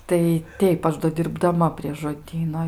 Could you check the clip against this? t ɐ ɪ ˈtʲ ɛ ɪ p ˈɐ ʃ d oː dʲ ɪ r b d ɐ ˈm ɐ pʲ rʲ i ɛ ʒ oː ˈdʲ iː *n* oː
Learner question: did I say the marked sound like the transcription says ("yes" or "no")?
yes